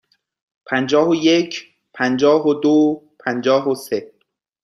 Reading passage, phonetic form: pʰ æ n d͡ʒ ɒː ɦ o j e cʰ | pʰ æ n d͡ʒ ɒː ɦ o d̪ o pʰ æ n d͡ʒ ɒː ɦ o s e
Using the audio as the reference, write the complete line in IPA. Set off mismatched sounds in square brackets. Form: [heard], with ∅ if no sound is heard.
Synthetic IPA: pʰ æ n d͡ʒ ɒː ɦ o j e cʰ | pʰ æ n d͡ʒ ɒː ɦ o d̪ o pʰ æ n d͡ʒ ɒː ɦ o s e